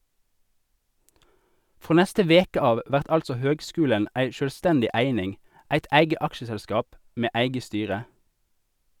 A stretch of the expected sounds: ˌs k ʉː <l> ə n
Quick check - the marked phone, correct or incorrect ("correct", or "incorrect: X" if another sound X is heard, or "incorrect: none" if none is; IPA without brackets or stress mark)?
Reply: correct